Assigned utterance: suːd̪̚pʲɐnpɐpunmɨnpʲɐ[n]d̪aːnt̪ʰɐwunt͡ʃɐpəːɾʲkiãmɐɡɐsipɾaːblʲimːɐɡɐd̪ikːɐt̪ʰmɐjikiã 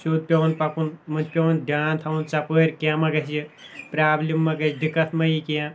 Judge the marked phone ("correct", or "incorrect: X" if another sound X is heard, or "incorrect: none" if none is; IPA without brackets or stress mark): correct